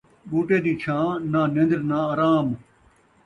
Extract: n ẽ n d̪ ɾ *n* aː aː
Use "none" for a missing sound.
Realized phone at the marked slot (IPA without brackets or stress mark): n